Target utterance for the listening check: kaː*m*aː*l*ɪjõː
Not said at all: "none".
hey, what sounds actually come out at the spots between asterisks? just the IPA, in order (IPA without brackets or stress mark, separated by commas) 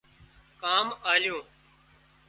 m, l